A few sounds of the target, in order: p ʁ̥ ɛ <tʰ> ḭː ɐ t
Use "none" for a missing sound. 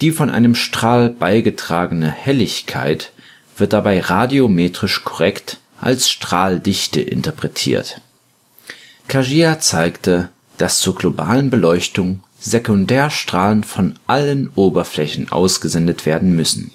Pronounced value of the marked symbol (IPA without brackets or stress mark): tʰ